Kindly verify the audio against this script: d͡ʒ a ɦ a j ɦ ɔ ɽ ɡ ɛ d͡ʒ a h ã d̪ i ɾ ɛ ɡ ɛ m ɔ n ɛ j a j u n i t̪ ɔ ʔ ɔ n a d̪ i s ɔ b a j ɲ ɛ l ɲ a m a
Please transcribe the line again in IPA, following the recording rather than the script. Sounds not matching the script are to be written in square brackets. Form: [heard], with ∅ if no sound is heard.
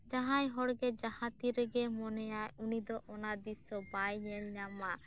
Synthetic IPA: d͡ʒ a ɦ a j ɦ ɔ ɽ ɡ ɛ d͡ʒ a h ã [t̪] i ɾ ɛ ɡ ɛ m ɔ n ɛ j a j u n i [d̪] ɔ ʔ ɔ n a d̪ i s ɔ b a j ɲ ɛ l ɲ a m a